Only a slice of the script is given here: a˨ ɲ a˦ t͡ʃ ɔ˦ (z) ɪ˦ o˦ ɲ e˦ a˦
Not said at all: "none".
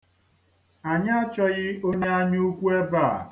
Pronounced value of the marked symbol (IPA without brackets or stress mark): ɣ